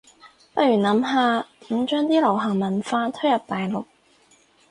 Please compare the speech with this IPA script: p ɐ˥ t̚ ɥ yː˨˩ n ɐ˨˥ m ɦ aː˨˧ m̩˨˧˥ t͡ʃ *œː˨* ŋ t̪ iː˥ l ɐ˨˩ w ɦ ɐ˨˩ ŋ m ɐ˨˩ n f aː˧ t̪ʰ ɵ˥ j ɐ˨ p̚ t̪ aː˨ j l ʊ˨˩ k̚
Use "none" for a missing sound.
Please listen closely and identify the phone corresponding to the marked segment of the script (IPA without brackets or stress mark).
œː˥